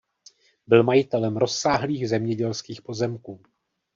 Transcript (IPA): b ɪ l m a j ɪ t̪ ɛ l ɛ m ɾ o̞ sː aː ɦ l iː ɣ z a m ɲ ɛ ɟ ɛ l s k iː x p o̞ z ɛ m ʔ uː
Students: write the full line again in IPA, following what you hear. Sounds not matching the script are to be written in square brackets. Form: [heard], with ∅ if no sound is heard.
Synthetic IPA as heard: b ɪ l m a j ɪ t̪ ɛ l ɛ m ɾ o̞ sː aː ɦ l iː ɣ z [ɛ] m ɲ ɛ ɟ ɛ l s k iː x p o̞ z ɛ m [k] uː